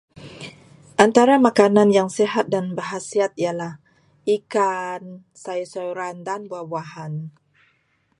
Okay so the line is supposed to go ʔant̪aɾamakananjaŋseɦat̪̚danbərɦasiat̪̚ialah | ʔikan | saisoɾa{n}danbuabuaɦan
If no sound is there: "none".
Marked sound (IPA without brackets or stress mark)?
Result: n